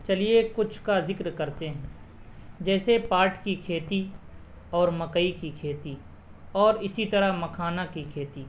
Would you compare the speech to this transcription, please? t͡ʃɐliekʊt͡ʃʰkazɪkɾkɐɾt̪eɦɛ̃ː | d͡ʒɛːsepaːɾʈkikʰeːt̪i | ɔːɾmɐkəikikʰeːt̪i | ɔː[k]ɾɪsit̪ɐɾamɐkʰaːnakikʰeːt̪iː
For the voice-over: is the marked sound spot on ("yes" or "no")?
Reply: no